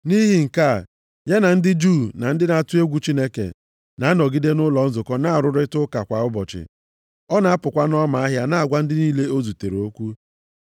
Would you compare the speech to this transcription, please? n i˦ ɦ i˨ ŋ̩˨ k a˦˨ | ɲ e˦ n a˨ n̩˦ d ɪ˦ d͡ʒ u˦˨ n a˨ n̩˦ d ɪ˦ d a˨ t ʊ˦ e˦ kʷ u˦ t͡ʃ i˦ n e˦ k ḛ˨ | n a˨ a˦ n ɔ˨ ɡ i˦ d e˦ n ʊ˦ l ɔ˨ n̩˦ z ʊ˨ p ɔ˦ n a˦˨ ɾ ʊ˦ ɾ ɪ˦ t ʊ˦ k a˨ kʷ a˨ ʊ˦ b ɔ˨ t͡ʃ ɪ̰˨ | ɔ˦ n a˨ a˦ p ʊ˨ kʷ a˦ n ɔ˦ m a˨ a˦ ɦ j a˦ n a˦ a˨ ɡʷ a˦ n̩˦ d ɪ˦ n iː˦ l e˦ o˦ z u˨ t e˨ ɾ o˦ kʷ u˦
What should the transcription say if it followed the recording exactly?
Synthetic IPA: n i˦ ɦ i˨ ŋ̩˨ k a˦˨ | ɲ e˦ n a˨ n̩˦ d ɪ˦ d͡ʒ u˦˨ n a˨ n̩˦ d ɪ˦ n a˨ t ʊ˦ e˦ ɡʷ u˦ t͡ʃ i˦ n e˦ k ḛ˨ | n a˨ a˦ n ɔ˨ ɡ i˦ d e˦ n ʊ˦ l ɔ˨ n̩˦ z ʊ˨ k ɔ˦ n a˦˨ ɾ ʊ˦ ɾ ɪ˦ t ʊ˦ k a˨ kʷ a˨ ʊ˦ b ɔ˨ t͡ʃ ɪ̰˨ | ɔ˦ n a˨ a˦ p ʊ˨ kʷ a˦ n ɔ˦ m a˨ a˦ ɦ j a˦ n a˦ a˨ ɡʷ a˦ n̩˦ d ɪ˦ n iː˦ l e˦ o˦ z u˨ t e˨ ɾ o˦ kʷ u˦